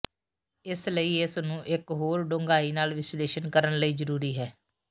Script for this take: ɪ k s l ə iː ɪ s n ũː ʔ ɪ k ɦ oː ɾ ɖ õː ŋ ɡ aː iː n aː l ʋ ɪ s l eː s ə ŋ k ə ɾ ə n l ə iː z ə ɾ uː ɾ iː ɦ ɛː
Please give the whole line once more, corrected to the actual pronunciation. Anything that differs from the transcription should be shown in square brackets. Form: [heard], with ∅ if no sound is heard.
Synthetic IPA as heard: ɪ [∅] s l ə iː ɪ s n ũː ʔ ɪ k ɦ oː ɾ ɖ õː ŋ ɡ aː iː n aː l ʋ ɪ s l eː [ʃ] ə [n] k ə ɾ ə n l ə iː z ə ɾ uː ɾ iː ɦ ɛː